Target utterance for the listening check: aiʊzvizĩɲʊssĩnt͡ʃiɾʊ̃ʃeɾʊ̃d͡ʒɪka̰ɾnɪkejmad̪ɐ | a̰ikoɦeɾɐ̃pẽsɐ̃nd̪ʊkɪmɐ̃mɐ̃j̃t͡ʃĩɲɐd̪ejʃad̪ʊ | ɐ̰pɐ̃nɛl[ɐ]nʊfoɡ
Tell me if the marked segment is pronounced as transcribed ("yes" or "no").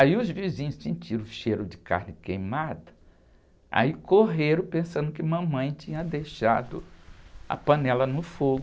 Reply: yes